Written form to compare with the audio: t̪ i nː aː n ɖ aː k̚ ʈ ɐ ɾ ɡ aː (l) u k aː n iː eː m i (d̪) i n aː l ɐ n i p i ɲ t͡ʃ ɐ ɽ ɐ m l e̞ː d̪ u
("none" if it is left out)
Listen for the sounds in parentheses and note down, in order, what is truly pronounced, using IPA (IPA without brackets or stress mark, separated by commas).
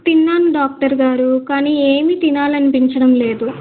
ɾ, t̪